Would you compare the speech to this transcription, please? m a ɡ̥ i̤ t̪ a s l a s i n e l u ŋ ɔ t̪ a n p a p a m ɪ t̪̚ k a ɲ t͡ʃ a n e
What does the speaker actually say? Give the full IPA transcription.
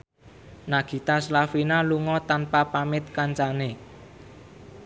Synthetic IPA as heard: n a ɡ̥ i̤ t̪ a s l a f i n a l u ŋ ɔ t̪ a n p a p a m ɪ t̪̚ k a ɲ t͡ʃ a n e